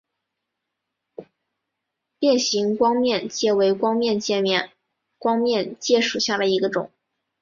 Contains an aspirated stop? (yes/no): no